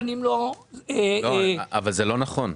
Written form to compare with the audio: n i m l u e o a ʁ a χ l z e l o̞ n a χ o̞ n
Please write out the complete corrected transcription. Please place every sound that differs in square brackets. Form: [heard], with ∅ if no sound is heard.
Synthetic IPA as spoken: n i m l [o] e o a [v] a [∅] l z e l o̞ n a χ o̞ n